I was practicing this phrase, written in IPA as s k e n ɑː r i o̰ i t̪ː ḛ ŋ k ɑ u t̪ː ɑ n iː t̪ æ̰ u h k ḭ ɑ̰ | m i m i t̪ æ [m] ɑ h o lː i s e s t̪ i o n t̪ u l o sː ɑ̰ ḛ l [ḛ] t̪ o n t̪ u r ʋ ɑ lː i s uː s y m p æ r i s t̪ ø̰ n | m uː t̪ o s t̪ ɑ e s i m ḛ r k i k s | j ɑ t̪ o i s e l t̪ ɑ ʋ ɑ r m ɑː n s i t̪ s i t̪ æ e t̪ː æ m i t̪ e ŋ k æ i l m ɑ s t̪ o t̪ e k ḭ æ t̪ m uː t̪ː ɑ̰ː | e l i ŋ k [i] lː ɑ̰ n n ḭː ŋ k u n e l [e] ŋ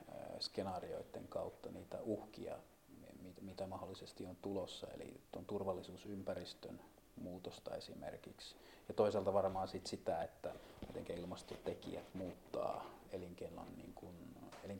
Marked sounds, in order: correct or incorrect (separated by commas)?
correct, incorrect, incorrect, incorrect